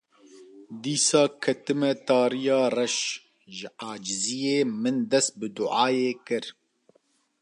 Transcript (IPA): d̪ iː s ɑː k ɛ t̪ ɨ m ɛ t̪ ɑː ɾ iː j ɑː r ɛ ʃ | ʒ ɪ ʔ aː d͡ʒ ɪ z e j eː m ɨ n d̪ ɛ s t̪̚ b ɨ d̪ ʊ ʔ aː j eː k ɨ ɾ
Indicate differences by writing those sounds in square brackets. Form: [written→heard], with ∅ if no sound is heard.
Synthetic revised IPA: d̪ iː s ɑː [k→kʰ] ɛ t̪ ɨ m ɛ t̪ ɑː ɾ [iː→i] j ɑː r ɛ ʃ | ʒ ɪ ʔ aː d͡ʒ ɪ z [e→i] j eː m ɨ n d̪ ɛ s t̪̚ b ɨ d̪ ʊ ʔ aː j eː k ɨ ɾ